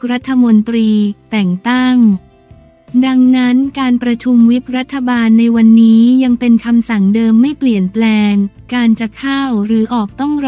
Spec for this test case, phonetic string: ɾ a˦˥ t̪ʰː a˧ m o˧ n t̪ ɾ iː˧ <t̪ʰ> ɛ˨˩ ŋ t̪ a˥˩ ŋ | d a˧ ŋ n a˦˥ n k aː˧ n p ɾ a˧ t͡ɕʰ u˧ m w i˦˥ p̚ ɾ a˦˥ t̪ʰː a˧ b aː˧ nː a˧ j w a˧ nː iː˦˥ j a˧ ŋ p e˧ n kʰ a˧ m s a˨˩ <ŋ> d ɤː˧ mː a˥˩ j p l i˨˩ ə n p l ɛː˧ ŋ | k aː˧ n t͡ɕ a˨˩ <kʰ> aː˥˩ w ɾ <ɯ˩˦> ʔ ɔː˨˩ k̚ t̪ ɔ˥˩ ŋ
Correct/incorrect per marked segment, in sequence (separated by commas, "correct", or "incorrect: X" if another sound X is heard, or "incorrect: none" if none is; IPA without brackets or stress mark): incorrect: t̪, correct, correct, incorrect: ɯː˩˦